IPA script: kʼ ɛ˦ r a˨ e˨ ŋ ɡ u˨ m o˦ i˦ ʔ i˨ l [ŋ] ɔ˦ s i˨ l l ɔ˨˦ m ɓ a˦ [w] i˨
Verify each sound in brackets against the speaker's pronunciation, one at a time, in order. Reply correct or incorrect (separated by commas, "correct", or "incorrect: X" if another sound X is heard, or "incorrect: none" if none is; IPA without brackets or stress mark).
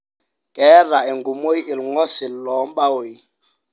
correct, correct